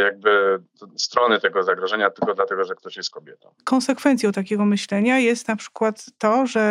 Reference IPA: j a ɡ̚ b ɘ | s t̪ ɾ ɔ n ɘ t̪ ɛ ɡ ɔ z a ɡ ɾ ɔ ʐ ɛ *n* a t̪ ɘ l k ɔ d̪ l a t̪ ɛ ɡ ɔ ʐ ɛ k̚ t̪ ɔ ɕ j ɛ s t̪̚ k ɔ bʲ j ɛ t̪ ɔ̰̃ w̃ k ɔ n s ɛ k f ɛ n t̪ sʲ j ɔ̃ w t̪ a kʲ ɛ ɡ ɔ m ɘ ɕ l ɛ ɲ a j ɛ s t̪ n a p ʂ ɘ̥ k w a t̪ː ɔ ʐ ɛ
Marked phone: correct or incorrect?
incorrect